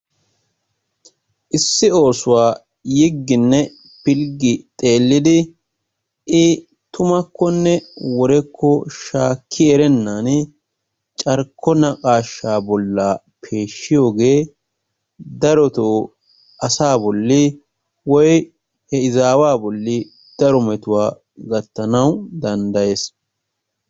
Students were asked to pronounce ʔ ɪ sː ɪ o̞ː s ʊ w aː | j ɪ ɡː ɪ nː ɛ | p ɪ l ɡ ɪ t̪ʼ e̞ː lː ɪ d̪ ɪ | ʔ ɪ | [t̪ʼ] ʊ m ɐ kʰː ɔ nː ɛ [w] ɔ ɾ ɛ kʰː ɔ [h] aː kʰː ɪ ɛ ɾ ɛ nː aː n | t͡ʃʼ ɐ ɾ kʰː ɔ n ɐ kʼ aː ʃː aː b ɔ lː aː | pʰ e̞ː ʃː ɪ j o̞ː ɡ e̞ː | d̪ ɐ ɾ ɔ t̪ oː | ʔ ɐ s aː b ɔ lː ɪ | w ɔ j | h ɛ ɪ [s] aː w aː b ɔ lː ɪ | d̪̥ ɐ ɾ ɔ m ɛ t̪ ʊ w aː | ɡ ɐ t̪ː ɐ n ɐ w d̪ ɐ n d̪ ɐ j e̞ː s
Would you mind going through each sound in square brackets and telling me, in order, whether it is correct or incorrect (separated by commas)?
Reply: incorrect, correct, incorrect, incorrect